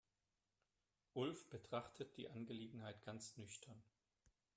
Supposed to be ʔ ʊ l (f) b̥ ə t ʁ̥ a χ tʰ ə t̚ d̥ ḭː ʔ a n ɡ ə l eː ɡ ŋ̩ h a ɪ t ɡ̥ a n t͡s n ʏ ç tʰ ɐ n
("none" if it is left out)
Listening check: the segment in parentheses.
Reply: f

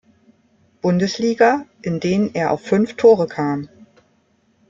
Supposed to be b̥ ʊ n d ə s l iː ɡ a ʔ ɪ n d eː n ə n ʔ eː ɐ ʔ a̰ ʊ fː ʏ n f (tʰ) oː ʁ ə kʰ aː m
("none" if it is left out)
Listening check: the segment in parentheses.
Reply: tʰ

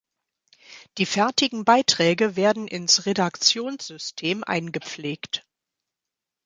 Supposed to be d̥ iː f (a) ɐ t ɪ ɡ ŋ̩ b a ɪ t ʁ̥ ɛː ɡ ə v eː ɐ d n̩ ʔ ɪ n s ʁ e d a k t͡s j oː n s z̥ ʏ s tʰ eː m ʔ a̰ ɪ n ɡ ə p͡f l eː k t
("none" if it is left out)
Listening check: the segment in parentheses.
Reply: ɛ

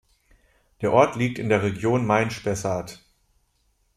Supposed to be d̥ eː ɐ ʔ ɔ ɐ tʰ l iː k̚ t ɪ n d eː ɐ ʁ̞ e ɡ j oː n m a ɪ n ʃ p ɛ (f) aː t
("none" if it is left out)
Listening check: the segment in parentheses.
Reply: s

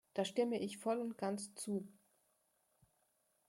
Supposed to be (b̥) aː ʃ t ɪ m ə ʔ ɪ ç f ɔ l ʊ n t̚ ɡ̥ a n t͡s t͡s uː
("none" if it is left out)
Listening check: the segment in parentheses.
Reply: d̥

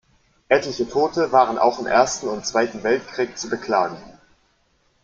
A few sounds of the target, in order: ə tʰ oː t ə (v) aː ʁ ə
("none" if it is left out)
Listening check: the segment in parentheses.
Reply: v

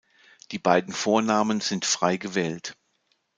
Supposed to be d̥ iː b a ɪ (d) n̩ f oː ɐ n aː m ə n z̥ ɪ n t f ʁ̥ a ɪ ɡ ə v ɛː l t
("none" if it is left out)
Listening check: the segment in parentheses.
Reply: d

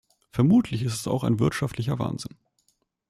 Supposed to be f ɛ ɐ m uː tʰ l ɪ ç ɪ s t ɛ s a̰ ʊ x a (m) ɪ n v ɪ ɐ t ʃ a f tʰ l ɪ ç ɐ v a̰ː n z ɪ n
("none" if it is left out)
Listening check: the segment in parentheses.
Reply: none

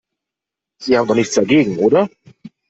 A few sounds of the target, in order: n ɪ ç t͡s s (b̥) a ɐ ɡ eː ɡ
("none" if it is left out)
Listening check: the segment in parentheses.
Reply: d̥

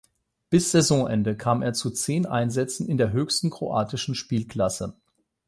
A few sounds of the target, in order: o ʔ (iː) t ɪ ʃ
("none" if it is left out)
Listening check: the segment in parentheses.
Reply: aː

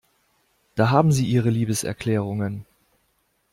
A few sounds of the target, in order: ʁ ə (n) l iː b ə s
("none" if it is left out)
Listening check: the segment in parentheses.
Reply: none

